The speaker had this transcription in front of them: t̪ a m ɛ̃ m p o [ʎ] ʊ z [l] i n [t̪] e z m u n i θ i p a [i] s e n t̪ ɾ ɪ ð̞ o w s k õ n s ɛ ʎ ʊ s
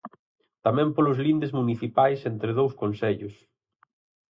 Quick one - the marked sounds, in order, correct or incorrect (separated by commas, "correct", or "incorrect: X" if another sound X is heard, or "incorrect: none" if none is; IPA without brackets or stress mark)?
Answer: incorrect: l, correct, incorrect: d̪, incorrect: j